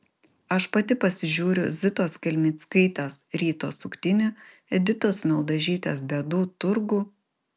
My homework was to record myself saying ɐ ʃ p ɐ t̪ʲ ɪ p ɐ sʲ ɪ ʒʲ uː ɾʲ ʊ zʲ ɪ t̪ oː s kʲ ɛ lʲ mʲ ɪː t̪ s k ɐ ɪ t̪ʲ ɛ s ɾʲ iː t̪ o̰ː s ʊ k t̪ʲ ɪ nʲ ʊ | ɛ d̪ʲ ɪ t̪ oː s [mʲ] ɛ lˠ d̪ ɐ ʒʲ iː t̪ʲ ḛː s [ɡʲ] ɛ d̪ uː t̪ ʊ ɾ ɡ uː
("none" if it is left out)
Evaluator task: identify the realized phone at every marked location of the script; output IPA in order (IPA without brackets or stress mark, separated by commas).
mʲ, bʲ